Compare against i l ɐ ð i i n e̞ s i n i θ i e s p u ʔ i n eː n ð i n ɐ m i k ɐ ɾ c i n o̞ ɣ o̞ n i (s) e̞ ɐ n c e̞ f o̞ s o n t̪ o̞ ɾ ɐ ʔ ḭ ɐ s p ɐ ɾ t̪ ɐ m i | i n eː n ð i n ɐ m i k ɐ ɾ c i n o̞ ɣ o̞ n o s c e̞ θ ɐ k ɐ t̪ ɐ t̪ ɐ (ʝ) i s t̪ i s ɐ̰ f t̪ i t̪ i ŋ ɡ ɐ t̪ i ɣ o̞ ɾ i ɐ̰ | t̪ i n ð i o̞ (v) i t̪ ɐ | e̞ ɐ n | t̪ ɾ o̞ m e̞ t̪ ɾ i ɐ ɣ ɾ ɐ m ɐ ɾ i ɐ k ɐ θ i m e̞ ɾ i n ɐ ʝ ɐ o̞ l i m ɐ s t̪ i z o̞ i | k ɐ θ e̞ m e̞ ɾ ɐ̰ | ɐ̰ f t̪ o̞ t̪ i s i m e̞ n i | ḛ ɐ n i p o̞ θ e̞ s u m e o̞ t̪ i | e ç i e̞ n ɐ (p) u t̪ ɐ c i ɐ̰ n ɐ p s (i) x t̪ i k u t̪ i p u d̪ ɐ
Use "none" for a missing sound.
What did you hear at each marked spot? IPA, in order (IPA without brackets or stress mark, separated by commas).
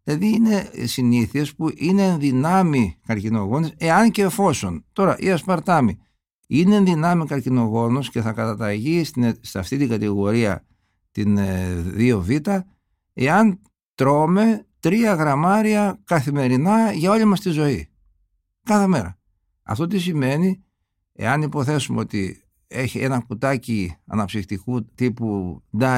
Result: s, ʝ, v, k, i